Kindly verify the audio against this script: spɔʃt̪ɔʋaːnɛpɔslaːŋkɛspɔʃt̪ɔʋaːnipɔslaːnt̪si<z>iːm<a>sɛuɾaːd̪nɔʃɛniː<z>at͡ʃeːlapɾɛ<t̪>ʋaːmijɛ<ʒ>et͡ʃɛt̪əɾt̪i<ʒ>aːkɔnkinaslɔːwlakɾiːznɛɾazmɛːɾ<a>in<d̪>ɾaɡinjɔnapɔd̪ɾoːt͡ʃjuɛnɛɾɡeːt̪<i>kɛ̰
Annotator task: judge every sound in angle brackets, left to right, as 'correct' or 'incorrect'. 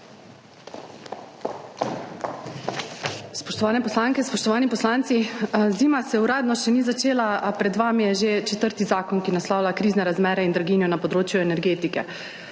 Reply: correct, correct, correct, incorrect, correct, incorrect, incorrect, correct, correct

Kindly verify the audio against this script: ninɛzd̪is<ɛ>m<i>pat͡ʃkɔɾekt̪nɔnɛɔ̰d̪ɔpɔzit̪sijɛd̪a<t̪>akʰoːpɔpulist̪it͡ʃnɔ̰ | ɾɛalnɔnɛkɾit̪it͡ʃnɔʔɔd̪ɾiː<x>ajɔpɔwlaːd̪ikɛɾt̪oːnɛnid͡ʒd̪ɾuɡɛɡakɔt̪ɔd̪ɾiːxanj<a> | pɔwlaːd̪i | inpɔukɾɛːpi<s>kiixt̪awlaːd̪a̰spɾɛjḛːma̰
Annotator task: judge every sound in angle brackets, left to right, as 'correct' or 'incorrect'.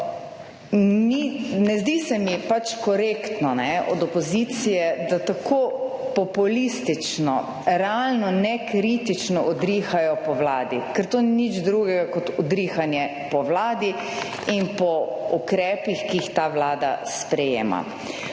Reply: correct, correct, correct, correct, incorrect, incorrect

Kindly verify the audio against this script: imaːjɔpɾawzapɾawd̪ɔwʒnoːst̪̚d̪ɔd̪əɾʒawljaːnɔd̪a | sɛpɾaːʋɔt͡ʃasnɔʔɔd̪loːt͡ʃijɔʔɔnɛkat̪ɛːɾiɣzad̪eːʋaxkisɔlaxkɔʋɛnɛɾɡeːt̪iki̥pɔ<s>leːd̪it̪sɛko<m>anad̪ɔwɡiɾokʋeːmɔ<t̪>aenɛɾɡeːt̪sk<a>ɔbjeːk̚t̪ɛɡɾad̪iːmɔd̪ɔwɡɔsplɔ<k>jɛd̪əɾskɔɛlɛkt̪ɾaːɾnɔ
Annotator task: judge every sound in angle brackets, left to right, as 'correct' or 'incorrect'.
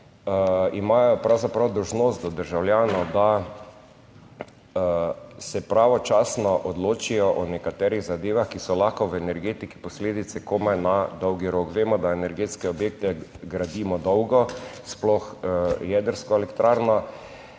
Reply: correct, correct, incorrect, incorrect, incorrect

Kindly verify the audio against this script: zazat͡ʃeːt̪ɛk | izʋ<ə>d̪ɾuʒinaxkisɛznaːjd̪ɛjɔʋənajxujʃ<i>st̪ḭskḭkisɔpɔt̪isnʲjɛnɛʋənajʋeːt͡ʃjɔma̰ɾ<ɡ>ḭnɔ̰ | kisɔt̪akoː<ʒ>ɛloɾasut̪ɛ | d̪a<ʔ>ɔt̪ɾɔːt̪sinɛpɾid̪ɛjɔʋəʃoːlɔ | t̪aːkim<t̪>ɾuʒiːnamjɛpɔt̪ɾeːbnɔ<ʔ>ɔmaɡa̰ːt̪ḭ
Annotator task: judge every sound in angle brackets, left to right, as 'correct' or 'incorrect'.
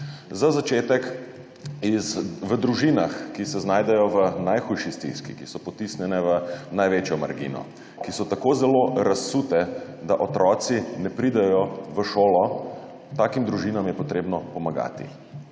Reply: correct, correct, correct, incorrect, correct, incorrect, incorrect

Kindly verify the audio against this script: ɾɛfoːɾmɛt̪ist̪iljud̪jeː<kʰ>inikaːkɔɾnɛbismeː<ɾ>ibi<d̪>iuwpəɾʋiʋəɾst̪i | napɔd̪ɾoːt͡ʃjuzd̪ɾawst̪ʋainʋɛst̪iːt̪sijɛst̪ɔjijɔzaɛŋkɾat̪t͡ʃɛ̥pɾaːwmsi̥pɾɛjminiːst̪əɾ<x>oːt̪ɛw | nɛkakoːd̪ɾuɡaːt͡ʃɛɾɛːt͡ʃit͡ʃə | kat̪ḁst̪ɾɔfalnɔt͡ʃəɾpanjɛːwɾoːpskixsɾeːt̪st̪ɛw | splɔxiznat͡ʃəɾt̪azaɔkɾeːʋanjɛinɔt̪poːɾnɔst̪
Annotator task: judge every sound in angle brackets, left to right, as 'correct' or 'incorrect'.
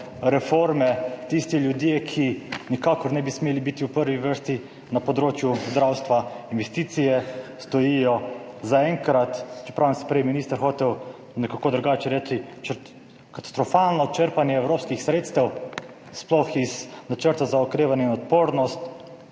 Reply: correct, incorrect, incorrect, correct

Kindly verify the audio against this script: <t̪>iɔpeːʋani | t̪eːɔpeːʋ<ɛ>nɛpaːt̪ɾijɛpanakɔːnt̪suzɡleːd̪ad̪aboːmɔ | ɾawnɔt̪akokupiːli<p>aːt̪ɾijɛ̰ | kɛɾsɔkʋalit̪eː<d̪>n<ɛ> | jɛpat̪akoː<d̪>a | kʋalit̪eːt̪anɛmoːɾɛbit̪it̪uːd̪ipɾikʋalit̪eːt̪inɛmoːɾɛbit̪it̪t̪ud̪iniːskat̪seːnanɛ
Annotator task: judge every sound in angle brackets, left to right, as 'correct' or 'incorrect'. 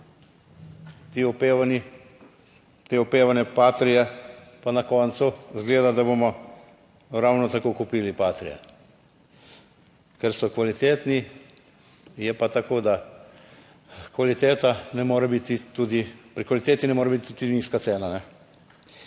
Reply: correct, incorrect, correct, incorrect, incorrect, correct

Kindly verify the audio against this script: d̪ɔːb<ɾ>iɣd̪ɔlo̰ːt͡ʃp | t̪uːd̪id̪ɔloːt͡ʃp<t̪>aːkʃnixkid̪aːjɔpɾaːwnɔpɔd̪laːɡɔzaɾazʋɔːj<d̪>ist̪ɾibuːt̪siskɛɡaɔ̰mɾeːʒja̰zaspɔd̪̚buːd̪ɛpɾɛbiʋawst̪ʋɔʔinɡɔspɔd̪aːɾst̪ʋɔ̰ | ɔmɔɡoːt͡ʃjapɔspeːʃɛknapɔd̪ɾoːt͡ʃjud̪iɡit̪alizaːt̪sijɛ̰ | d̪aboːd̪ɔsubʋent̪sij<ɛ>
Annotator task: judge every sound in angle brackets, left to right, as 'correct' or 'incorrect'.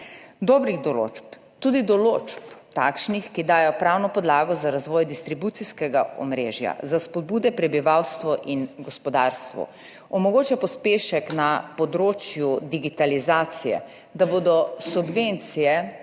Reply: correct, correct, correct, correct

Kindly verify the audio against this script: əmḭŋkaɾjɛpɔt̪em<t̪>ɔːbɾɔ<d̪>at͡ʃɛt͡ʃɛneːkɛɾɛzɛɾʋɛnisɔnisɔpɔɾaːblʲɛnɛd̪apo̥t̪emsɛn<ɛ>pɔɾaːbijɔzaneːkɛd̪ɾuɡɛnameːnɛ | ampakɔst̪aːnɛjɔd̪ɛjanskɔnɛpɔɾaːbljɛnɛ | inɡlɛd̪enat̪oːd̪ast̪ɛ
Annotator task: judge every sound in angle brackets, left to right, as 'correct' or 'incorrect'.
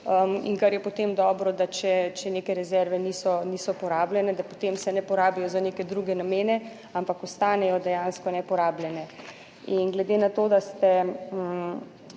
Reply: incorrect, correct, correct

